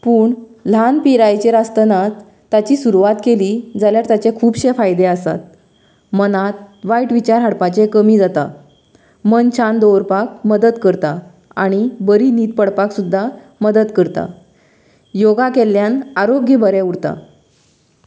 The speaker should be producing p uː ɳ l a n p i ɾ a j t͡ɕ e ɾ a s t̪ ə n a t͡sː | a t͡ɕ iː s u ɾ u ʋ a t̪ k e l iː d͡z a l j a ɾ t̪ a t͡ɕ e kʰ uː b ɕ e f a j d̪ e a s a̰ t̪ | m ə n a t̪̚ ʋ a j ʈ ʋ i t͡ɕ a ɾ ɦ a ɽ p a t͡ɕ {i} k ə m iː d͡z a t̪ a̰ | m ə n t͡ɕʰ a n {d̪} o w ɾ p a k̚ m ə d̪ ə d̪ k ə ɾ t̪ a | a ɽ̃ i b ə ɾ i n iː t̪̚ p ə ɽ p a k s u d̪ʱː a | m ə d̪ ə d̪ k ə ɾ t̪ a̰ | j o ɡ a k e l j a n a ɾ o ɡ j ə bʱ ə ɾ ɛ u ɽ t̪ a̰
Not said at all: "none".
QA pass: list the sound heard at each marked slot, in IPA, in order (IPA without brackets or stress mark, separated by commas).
e, d̪